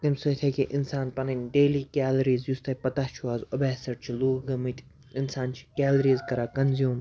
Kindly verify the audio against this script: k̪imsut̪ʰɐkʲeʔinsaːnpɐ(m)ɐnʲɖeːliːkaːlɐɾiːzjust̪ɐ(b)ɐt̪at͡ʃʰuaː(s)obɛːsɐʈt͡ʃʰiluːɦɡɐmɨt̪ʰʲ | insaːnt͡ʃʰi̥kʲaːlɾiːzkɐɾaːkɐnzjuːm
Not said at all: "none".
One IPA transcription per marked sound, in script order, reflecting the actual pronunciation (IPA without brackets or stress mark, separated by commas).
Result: n, p, z